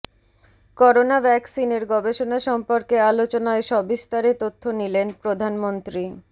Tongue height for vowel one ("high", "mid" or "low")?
mid